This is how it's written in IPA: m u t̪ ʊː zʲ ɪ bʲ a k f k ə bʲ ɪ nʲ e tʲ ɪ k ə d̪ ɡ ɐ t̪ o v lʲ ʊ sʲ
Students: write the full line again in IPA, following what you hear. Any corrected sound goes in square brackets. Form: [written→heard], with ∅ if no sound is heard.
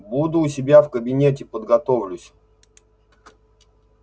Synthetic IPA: [m→b] u [t̪→d̪] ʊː [zʲ→sʲ] ɪ bʲ a [k→∅] f k ə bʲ ɪ nʲ e tʲ ɪ [k→p] ə d̪ ɡ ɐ t̪ o v lʲ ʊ sʲ

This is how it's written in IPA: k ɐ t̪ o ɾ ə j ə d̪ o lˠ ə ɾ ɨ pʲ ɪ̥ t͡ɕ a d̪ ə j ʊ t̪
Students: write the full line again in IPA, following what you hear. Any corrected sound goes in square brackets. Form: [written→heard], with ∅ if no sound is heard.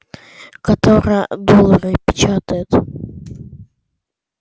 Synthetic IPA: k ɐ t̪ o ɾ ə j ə d̪ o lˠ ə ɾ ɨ pʲ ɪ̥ t͡ɕ a [d̪→t̪] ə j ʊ t̪

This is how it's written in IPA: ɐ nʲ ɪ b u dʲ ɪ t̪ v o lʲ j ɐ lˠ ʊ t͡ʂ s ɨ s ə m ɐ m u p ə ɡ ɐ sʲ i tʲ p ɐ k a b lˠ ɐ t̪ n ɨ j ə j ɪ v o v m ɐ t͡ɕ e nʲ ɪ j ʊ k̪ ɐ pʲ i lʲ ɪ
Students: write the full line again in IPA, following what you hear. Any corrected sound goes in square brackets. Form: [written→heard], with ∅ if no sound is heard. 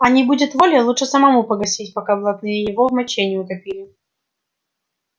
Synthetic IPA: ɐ nʲ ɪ b u dʲ ɪ t̪ v o lʲ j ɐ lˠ [ʊ→u] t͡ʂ [s→ʂ] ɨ s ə m ɐ m u p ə ɡ ɐ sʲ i tʲ p ɐ k a b lˠ ɐ t̪ n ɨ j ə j ɪ v o v m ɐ t͡ɕ e nʲ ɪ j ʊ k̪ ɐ pʲ i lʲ ɪ

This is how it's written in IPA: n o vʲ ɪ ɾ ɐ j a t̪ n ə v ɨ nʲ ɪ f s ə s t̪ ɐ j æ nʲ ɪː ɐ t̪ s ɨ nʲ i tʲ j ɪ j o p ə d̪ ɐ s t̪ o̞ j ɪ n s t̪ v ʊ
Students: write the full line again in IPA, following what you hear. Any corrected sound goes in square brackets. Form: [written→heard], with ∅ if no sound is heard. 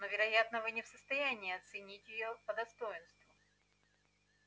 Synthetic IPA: n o vʲ ɪ ɾ ɐ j a t̪ n ə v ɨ nʲ ɪ f s ə s t̪ ɐ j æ nʲ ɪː ɐ t̪ s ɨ nʲ i tʲ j ɪ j o p ə d̪ ɐ s t̪ o̞ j ɪ n s t̪ v ʊ

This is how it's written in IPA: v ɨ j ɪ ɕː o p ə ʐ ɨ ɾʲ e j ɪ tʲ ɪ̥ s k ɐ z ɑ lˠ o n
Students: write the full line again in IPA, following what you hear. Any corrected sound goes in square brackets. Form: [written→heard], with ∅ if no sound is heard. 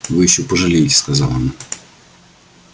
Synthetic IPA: v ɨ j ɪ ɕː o p ə ʐ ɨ [ɾʲ→lʲ] e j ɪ tʲ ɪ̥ s k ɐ z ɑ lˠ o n

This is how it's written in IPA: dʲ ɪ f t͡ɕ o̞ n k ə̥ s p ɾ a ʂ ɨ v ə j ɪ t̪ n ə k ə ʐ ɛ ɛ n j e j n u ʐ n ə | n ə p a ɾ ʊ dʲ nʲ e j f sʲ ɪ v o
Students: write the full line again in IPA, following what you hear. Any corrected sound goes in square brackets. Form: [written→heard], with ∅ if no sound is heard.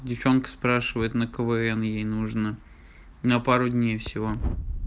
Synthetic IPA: dʲ ɪ f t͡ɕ o̞ n k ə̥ s p ɾ a ʂ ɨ v ə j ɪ t̪ n ə k ə [ʐ→v] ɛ ɛ n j e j n u ʐ n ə | n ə p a ɾ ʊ dʲ nʲ e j f sʲ ɪ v o

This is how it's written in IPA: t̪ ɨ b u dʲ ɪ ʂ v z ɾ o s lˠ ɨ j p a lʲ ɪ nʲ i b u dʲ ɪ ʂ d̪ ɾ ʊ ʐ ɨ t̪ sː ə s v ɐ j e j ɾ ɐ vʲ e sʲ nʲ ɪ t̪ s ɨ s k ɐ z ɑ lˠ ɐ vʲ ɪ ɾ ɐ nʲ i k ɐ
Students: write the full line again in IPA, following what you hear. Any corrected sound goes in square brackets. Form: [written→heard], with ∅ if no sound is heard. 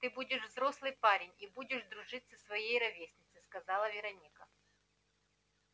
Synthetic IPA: t̪ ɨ b u dʲ ɪ ʂ v z ɾ o s lˠ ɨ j p a [lʲ→ɾʲ] ɪ nʲ i b u dʲ ɪ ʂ d̪ ɾ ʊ ʐ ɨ t̪ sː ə s v ɐ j e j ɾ ɐ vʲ e sʲ nʲ ɪ t̪ s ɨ s k ɐ z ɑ lˠ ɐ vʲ ɪ ɾ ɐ nʲ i k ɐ

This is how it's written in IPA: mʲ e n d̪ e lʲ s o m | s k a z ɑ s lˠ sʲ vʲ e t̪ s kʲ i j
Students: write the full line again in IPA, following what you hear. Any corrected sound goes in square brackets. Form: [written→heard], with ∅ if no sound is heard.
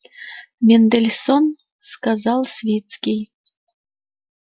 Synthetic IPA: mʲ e n d̪ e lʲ s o [m→n] | s k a z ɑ [s→∅] lˠ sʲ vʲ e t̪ s kʲ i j

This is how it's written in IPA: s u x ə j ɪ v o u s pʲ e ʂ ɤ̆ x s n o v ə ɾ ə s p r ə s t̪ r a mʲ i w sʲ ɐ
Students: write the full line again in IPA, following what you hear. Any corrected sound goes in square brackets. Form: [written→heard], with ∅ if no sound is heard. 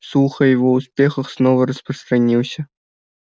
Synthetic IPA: s u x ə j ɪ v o u s pʲ e [ʂ→x] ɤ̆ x s n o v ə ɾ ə s p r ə s t̪ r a [mʲ→nʲ] i w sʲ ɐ

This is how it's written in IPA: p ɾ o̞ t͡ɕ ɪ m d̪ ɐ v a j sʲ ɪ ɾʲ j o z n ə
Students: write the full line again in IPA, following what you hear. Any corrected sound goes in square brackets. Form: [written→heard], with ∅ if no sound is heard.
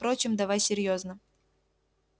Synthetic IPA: p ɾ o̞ t͡ɕ ɪ m d̪ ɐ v a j sʲ ɪ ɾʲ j o z n ə

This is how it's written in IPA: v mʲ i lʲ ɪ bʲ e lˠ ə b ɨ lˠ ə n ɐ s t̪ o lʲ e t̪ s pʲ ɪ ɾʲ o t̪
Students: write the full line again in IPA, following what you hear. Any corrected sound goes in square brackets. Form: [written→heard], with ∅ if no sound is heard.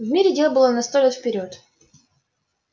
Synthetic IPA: v mʲ i [lʲ→ɾʲ] ɪ [bʲ→dʲ] e lˠ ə b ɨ lˠ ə n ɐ s t̪ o lʲ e t̪ [s→f] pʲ ɪ ɾʲ o t̪

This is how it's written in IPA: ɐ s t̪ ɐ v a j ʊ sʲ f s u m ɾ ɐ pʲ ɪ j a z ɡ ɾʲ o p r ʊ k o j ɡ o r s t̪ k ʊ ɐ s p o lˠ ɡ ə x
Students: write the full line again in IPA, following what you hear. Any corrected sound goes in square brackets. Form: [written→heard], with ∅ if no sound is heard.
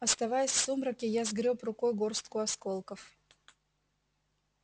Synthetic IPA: ɐ s t̪ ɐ v a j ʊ sʲ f s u m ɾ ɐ [pʲ→kʲ] ɪ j a z ɡ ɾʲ o p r ʊ k o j ɡ o r s t̪ k ʊ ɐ s [p→k] o lˠ [ɡ→k] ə [x→f]

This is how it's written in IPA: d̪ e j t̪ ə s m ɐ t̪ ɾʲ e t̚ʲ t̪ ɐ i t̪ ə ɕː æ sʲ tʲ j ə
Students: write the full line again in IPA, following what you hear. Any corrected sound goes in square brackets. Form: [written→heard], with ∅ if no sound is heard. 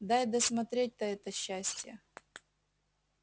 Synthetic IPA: d̪ [e→a] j [t̪→d̪] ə s m ɐ t̪ ɾʲ e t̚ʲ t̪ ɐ [i→ɛ] t̪ ə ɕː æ sʲ tʲ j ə

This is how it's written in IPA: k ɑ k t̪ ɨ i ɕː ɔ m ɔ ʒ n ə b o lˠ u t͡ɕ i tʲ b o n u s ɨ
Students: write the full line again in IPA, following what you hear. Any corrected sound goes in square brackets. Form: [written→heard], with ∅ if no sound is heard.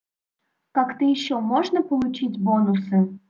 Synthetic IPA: k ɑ k t̪ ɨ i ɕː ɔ m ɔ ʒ n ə [b→p] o lˠ u t͡ɕ i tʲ b o n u s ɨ

